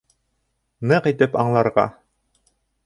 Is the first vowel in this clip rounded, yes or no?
no